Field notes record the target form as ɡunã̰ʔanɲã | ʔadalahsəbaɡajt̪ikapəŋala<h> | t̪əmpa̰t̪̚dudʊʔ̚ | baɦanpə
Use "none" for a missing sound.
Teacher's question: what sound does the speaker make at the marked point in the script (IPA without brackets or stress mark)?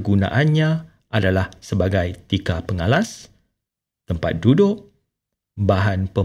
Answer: s